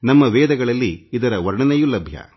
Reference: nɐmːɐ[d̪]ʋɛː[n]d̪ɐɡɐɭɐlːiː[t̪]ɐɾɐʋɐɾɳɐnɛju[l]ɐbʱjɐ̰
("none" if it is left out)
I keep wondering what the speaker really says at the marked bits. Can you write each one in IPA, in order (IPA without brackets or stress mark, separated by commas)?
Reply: none, none, d̪, l